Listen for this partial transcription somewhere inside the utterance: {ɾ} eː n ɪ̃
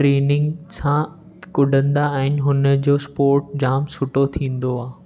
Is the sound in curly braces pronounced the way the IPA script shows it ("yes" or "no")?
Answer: yes